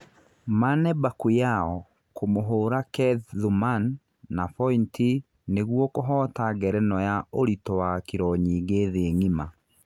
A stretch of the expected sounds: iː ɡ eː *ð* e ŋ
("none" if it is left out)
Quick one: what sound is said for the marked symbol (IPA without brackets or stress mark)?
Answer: ð